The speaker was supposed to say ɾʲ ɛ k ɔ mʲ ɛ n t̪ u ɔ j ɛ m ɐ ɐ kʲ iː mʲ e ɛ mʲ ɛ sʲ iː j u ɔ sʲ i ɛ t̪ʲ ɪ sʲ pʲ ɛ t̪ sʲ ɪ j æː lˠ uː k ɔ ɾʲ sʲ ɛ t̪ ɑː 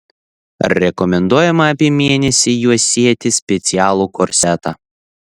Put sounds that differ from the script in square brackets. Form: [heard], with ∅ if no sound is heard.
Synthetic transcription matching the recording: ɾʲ ɛ k ɔ mʲ ɛ n [d̪] u ɔ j ɛ m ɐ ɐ [pʲ] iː mʲ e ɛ [nʲ] ɛ sʲ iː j u ɔ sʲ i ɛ t̪ʲ ɪ sʲ pʲ ɛ t̪ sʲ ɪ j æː lˠ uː k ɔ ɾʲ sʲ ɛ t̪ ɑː